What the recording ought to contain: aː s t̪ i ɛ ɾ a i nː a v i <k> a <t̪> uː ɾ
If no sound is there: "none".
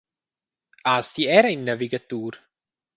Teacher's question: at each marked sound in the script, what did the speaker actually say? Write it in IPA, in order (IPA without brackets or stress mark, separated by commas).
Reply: ɡ, t̪